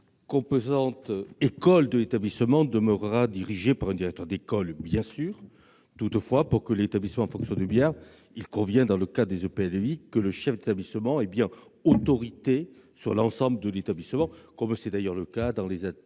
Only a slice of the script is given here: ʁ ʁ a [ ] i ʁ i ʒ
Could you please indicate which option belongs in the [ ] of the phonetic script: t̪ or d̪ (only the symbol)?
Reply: d̪